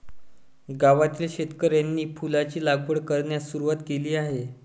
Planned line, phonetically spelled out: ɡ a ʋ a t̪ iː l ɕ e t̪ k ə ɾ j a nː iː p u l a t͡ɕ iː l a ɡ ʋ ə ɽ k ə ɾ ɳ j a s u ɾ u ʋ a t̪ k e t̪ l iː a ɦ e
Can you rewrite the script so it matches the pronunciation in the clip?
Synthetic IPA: ɡ a ʋ a t̪ iː l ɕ e t̪ k ə ɾ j a nː iː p u l a t͡ɕ iː l a ɡ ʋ ə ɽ k ə ɾ ɳ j a s u ɾ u ʋ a t̪ k e l iː a ɦ e